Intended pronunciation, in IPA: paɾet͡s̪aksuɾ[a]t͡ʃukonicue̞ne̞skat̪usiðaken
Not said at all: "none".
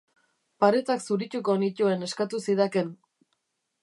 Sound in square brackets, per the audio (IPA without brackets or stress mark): i